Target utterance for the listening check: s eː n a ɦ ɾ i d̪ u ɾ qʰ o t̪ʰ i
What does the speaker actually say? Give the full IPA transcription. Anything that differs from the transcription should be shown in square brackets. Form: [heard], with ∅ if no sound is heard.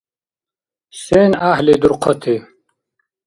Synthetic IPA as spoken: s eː n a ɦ [l] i d̪ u ɾ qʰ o t̪ʰ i

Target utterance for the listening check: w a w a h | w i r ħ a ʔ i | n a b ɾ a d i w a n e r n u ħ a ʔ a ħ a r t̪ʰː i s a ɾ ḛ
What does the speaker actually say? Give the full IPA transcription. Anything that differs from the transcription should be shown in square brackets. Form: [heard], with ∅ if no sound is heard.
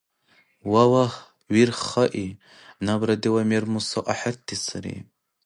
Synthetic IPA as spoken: w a w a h | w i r [χ] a ʔ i | n a b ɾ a d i w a [m] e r [m] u [s] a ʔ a ħ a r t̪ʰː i s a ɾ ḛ

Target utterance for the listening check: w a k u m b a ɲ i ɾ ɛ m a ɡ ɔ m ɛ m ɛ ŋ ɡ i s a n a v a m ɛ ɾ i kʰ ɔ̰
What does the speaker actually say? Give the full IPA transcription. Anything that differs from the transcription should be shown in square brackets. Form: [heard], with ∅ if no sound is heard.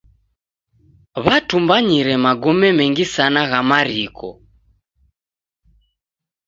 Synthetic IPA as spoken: [β] a [t] u m b a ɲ i ɾ ɛ m a ɡ ɔ m ɛ m ɛ ŋ ɡ i s a n a [ɣ] a m [a] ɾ i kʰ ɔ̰

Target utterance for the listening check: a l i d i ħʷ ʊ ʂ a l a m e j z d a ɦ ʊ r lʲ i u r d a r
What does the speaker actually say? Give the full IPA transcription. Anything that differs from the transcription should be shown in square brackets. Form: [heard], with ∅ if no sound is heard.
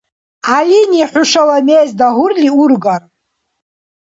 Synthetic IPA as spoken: a l i [n] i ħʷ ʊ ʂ a l a m e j z d a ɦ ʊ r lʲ i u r [ɡ] a r

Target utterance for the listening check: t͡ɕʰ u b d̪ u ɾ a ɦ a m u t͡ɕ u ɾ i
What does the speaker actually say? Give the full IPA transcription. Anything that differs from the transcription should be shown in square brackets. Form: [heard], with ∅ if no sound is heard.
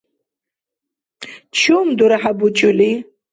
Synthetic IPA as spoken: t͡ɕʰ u [m] d̪ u ɾ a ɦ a [b] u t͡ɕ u [l] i

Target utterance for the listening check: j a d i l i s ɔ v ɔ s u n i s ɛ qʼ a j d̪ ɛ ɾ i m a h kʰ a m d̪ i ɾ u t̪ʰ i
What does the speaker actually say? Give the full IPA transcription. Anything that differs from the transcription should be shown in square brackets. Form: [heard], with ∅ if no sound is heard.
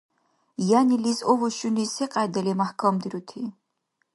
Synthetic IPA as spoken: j a [n] i l i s ɔ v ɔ [ʃ] u n i s ɛ qʼ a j d̪ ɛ [l] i m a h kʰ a m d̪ i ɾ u t̪ʰ i

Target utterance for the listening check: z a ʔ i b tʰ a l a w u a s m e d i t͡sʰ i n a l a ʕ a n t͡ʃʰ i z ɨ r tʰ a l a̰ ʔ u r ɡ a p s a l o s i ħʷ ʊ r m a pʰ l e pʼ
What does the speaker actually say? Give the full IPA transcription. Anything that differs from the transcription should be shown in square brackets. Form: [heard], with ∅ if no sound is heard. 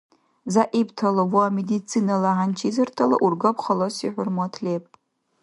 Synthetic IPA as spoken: z a ʔ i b tʰ a l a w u a [∅] m e d i t͡sʰ i n a l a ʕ a n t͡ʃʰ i z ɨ r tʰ a l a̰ ʔ u r ɡ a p [χ] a l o s i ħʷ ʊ r m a [tʰ] l e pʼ

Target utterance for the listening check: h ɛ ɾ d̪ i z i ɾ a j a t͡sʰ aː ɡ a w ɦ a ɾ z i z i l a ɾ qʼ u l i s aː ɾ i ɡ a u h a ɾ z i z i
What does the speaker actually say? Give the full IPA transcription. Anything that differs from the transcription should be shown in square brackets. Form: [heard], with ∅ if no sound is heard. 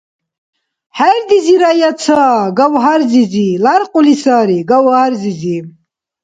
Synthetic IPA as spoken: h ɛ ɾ d̪ i z i ɾ a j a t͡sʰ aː ɡ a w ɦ a ɾ z i z i l a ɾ qʼ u l i s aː ɾ i ɡ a [w] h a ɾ z i z i

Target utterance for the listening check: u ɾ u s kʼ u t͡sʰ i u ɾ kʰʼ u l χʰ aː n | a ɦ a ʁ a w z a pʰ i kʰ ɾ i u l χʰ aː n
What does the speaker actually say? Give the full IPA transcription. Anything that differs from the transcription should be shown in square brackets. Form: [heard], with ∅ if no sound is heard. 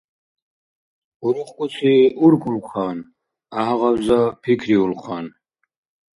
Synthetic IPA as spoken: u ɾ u [χ] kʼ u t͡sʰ i u ɾ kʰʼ u l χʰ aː n | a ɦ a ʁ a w z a pʰ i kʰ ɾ i u l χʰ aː n

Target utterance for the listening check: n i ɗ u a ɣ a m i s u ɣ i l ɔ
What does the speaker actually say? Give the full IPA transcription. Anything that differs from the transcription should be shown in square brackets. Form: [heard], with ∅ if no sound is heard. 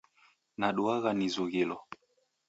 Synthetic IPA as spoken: n [a] ɗ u a ɣ a [n] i [z] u ɣ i l ɔ

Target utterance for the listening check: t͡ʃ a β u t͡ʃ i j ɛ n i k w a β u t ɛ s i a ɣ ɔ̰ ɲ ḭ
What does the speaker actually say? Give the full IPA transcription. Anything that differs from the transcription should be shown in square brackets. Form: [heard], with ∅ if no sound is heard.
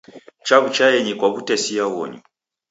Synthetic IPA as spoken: t͡ʃ a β u t͡ʃ [a] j ɛ [ɲ] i k w a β u t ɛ s i a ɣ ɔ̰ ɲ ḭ

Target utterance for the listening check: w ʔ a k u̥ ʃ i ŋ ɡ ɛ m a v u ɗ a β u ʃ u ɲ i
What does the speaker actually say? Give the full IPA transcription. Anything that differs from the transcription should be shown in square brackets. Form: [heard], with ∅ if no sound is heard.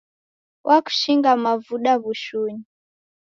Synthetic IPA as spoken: w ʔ a k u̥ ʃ i ŋ ɡ [a] m a v u ɗ a β u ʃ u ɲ i

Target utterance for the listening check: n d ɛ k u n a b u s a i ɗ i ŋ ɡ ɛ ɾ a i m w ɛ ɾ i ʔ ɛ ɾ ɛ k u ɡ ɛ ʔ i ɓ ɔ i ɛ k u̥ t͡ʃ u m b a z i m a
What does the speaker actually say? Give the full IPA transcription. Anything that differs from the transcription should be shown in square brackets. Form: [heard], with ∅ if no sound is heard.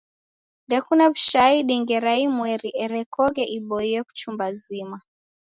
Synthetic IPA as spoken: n d ɛ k u n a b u [ʃ] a i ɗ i ŋ ɡ ɛ ɾ a i m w ɛ ɾ i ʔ ɛ ɾ ɛ k [ɔ] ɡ ɛ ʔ i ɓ ɔ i ɛ k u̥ t͡ʃ u m b a z i m a

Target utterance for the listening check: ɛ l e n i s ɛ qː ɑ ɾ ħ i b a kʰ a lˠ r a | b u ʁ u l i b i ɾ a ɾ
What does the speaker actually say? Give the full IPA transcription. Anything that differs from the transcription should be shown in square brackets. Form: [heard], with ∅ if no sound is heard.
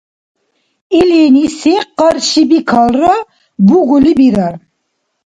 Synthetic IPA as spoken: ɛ l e n i s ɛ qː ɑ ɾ [ʃ] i b [i] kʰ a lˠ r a | b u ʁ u l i b i ɾ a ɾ

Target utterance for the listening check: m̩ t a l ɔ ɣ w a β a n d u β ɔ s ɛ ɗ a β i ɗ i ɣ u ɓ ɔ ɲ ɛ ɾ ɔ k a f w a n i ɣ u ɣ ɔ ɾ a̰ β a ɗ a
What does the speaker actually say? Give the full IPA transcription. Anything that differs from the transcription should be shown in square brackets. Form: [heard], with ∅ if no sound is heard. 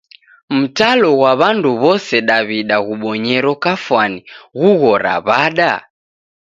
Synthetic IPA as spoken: m̩ t a l ɔ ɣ w a β a n d u β ɔ s ɛ ɗ a β i ɗ [a] ɣ u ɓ ɔ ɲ ɛ ɾ ɔ k a f w a n i ɣ u ɣ ɔ ɾ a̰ β a ɗ a

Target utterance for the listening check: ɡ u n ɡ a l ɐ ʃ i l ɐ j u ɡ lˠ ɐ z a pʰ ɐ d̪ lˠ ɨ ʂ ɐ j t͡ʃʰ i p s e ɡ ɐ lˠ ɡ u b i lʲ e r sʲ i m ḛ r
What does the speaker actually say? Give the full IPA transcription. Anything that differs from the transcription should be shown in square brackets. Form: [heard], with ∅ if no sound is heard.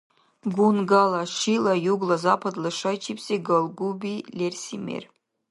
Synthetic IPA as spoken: ɡ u n ɡ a l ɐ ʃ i l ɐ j u ɡ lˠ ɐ z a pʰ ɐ d̪ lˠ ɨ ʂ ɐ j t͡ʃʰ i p s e ɡ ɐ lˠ ɡ u b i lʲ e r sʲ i m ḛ r

